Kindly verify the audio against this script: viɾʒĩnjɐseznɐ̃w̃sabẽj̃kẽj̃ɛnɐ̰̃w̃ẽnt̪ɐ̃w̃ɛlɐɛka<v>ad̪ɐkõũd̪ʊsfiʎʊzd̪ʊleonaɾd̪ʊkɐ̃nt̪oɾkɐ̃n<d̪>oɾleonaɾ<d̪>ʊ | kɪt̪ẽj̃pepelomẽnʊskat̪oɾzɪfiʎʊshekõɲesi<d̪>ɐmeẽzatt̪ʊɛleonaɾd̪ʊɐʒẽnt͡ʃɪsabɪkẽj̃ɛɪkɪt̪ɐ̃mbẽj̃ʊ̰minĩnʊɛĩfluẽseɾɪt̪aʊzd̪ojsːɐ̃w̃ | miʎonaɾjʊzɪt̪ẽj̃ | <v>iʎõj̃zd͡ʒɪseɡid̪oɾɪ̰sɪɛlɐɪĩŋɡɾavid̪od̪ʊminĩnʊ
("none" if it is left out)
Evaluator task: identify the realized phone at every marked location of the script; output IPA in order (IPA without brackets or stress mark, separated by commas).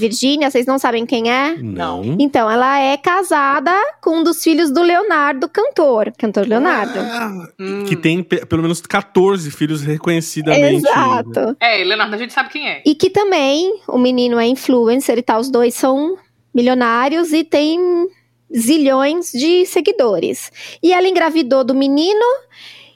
z, t̪, d̪, d̪, z